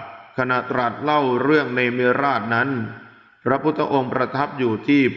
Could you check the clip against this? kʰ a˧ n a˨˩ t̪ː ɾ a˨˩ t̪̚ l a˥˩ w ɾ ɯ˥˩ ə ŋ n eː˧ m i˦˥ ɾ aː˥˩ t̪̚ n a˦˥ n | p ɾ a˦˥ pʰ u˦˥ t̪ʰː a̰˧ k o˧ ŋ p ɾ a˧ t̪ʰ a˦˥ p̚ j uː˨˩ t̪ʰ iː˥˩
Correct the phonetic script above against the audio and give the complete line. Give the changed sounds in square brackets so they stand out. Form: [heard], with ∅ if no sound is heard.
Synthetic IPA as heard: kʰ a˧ n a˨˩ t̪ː ɾ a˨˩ t̪̚ l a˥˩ w ɾ ɯ˥˩ ə ŋ n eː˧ m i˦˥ ɾ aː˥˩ t̪̚ n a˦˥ n | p ɾ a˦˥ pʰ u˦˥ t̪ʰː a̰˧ [ʔ] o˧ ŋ p ɾ a˧ t̪ʰ a˦˥ p̚ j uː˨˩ t̪ʰ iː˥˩